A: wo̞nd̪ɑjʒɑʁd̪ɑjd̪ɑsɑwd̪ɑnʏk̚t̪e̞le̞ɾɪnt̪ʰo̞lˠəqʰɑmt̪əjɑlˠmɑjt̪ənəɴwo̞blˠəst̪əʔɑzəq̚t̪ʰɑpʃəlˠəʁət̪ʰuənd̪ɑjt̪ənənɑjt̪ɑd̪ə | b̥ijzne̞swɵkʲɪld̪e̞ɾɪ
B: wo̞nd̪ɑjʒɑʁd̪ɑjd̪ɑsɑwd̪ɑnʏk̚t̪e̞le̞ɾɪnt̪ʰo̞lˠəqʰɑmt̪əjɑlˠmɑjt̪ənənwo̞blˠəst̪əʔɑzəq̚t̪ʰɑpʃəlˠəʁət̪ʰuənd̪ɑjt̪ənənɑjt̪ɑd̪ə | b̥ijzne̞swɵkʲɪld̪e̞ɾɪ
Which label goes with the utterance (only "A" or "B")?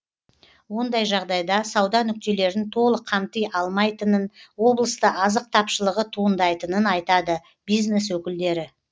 B